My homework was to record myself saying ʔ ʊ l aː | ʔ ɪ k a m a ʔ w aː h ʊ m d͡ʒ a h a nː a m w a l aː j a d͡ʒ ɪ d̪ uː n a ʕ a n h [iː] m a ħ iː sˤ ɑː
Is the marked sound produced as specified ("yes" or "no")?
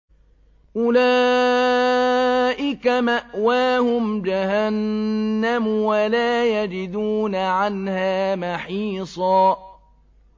no